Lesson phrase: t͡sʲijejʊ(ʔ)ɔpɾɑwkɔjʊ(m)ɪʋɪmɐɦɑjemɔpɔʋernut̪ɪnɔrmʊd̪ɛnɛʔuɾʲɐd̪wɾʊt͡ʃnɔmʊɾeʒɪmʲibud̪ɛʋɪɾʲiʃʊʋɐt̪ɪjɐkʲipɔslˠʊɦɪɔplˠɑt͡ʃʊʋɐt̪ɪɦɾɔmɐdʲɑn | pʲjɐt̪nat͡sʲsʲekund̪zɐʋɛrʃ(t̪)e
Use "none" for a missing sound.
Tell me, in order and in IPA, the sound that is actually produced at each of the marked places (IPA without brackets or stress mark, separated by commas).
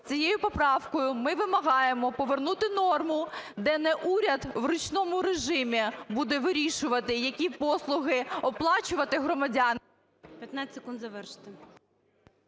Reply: p, m, t̪